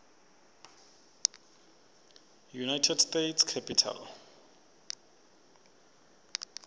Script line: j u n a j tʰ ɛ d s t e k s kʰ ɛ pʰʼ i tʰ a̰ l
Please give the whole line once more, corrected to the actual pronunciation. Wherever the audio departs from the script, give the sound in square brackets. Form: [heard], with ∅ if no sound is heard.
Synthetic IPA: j u n a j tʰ ɛ d s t e [t] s kʰ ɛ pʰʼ i tʰ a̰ l

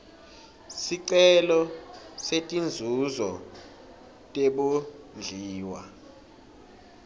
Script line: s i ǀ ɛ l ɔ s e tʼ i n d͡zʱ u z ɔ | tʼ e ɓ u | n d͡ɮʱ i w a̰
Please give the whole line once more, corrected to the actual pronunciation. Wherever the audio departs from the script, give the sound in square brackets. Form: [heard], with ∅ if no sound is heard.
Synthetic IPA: s i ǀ ɛ l ɔ s e tʼ i n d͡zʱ u z ɔ | tʼ e ɓ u | n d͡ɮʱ [iː] w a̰

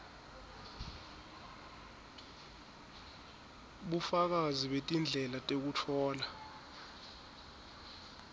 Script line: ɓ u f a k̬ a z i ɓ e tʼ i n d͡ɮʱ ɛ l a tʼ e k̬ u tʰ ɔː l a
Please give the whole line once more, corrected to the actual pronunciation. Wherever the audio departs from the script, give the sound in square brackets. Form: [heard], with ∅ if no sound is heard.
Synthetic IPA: ɓ u f a k̬ a z i ɓ e tʼ i n d͡ɮʱ ɛ l a tʼ e k̬ u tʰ ɔː l a

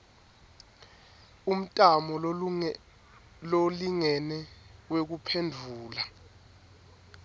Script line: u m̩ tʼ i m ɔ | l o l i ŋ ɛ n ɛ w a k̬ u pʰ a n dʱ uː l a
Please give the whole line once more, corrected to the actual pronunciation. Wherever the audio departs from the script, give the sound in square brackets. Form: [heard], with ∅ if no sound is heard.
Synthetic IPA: u m̩ tʼ [a] m ɔ | l o l i ŋ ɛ n ɛ w [e] k̬ u pʰ [e] n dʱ uː l a

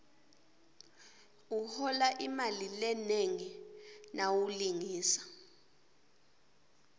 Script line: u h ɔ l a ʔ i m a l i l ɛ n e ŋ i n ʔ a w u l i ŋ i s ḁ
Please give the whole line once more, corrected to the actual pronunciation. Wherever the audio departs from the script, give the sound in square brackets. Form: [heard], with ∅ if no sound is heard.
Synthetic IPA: u h ɔ l a ʔ i m a l i l ɛ n e ŋ i n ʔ a w u l i ŋ [iː] s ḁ

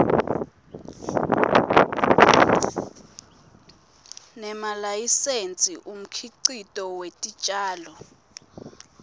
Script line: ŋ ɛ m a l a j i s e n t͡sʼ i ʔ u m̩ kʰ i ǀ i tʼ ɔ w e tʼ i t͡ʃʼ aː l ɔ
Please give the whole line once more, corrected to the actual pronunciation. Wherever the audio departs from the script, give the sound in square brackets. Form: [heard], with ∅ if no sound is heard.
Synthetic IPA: [n] ɛ m a l a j i s e n t͡sʼ i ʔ u m̩ kʰ i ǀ i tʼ ɔ w e tʼ i t͡ʃʼ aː l ɔ

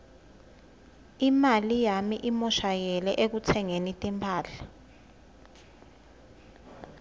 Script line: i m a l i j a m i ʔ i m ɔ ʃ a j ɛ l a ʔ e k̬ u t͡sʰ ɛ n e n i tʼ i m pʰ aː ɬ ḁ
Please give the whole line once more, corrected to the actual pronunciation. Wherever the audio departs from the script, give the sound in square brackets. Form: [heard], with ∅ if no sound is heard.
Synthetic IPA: i m a l i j a m i ʔ i m ɔ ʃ a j ɛ l [ɛ] ʔ e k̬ u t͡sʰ ɛ [ŋ] e n i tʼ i m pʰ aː ɬ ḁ

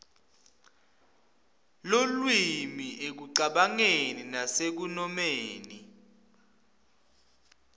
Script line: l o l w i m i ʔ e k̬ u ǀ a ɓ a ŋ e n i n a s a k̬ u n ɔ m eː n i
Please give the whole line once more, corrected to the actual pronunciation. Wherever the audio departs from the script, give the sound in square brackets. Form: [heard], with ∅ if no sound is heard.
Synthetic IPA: l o l w i m i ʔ e k̬ u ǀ a ɓ a ŋ e n i n a s [e] k̬ u n ɔ m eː n i

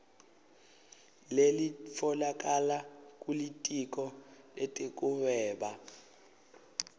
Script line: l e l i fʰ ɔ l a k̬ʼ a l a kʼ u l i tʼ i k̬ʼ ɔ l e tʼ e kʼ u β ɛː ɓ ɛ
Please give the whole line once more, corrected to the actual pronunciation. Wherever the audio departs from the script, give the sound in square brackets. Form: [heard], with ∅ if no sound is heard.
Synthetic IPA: l e l i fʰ ɔ l a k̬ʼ a l a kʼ u l i tʼ i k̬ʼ ɔ l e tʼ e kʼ u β ɛː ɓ [a]

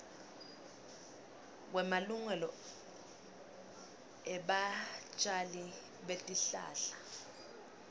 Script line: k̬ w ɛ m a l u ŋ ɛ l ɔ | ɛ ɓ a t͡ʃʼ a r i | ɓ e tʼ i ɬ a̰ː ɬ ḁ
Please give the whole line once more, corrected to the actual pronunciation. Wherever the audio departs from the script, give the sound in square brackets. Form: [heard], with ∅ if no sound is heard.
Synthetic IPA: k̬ w ɛ m a l u ŋ ɛ l ɔ | ɛ ɓ a t͡ʃʼ a [l] i | ɓ e tʼ i ɬ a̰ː ɬ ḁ

